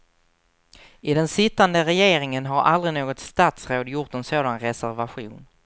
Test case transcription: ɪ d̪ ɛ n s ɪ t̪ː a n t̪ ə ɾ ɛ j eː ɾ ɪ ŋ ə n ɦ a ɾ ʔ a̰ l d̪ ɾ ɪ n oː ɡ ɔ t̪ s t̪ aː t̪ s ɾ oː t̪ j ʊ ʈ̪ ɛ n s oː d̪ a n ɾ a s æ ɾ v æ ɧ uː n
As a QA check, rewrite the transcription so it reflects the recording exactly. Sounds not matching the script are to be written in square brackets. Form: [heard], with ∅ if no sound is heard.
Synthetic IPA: ɪ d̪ ɛ n s ɪ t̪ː a n [d̪] ə ɾ ɛ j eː ɾ ɪ ŋ ə n ɦ a ɾ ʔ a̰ l d̪ ɾ ɪ n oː ɡ ɔ t̪ s t̪ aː t̪ s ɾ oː [d̪] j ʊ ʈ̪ ɛ n s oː d̪ a n ɾ [ɛ] s æ ɾ v [a] ɧ uː n